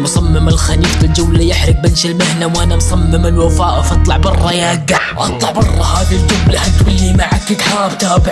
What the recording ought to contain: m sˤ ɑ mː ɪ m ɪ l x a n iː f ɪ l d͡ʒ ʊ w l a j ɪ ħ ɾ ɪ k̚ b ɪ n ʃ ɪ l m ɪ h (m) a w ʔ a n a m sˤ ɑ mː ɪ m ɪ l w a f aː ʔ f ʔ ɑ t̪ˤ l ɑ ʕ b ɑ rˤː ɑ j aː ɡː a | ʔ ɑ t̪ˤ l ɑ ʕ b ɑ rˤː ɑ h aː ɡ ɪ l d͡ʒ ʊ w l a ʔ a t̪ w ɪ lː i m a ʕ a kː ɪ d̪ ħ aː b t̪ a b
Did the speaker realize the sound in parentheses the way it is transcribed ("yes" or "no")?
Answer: no